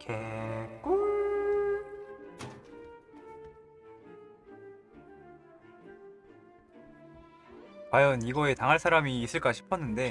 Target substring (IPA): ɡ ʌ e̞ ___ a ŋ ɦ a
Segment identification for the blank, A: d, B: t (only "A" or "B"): B